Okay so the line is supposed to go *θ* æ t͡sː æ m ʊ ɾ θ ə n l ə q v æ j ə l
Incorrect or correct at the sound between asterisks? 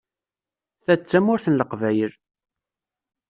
correct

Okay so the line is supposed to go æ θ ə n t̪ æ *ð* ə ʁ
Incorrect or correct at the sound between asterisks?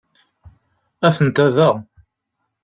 correct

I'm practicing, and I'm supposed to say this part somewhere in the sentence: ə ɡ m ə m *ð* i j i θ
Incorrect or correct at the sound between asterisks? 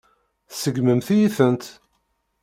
incorrect: θ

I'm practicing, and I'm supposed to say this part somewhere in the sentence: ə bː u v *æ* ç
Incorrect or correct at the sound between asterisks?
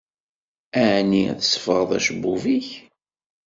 incorrect: i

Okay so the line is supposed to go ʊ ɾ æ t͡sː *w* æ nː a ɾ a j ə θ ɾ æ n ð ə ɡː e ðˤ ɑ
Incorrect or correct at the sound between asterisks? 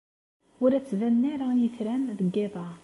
incorrect: v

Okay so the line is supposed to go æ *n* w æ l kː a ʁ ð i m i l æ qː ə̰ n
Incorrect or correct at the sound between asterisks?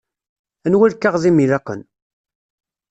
correct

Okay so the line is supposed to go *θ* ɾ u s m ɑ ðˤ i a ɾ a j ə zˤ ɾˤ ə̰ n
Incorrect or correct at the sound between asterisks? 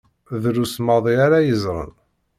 incorrect: ð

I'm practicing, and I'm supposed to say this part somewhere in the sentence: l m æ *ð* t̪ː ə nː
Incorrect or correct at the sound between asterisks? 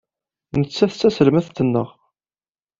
incorrect: θ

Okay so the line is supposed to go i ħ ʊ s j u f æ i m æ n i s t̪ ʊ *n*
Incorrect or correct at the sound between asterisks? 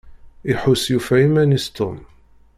incorrect: m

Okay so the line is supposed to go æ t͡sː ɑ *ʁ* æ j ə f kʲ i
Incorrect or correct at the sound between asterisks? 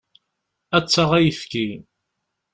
correct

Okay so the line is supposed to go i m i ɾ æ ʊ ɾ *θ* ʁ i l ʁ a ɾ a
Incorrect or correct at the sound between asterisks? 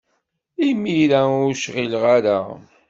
incorrect: ʃ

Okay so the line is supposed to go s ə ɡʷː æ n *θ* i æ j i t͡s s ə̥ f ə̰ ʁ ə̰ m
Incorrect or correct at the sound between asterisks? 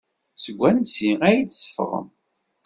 incorrect: s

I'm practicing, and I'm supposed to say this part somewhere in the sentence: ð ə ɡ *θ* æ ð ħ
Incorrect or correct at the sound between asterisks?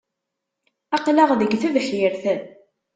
correct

